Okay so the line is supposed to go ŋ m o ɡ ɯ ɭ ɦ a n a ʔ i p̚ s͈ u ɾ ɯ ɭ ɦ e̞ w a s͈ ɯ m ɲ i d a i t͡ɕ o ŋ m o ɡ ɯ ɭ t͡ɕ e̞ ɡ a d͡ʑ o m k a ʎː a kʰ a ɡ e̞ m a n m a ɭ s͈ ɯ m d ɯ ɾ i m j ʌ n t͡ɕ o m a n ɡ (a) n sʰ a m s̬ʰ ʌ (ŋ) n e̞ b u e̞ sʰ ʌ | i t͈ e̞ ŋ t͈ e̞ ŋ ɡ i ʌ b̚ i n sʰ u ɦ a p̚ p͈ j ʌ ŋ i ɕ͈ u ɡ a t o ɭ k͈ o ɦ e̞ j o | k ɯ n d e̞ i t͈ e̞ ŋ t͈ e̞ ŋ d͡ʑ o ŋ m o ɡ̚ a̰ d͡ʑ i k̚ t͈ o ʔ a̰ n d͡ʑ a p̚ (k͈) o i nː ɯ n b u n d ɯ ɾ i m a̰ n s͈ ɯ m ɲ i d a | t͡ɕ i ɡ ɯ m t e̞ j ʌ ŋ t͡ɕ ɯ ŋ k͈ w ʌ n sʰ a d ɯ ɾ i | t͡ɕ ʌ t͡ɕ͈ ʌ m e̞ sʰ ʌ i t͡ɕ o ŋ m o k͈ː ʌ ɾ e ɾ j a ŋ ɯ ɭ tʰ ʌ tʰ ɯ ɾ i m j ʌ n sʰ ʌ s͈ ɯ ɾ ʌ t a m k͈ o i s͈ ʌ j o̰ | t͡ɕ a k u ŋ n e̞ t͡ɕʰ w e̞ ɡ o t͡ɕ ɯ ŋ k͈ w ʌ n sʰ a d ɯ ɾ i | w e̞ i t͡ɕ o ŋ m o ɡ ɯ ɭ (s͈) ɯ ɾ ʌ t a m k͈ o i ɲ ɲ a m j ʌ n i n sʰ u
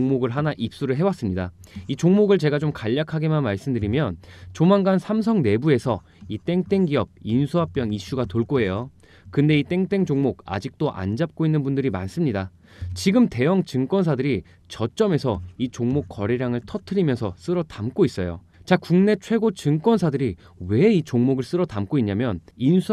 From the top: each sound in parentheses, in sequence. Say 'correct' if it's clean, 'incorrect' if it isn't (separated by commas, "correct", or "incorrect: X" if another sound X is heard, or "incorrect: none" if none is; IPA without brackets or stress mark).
correct, correct, correct, correct